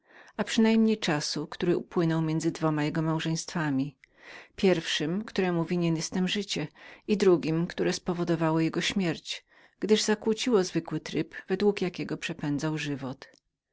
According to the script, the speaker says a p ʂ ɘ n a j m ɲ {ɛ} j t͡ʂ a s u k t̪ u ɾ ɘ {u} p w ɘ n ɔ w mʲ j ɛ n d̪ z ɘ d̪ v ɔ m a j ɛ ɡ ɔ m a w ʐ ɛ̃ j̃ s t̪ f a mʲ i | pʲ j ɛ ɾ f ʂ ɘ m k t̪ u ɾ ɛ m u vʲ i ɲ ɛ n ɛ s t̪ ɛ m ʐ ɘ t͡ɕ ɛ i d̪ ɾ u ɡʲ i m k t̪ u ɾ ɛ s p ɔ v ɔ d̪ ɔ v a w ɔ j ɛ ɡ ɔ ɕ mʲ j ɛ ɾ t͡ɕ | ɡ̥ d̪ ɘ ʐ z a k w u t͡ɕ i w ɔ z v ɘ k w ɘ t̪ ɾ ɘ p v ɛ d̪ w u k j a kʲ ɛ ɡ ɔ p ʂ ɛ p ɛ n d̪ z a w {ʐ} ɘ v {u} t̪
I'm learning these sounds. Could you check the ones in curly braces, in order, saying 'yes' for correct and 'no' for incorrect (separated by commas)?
no, yes, yes, no